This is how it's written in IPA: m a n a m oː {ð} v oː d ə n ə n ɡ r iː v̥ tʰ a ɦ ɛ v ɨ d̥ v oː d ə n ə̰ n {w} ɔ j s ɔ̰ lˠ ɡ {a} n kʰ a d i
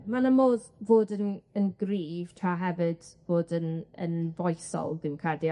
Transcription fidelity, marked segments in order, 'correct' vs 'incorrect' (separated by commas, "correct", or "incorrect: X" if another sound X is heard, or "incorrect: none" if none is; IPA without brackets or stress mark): correct, incorrect: v, incorrect: ə